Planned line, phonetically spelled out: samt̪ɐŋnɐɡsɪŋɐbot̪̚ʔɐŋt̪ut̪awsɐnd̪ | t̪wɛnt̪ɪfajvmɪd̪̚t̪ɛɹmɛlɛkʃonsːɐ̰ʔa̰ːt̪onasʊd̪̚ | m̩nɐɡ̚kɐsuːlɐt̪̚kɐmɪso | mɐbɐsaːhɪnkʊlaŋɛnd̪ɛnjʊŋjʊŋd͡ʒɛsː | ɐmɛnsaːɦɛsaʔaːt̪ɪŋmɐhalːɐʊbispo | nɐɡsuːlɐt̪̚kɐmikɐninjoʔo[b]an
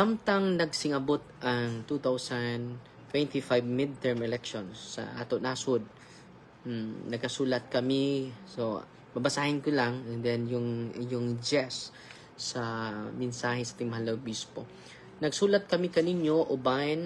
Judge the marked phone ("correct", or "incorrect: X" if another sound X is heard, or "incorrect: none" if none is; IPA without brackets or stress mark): correct